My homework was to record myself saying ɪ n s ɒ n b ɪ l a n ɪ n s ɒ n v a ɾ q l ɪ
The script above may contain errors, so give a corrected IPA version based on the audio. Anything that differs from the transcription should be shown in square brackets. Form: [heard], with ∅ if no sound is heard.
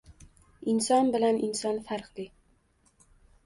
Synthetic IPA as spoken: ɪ n s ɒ n b ɪ l a n ɪ n s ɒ n [f] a ɾ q l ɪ

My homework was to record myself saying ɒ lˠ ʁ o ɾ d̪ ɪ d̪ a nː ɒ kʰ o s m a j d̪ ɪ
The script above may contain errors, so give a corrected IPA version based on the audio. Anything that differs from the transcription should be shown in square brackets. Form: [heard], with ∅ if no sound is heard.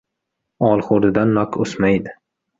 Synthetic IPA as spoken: ɒ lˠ [χ] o ɾ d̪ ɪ d̪ a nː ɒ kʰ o s m a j d̪ ɪ

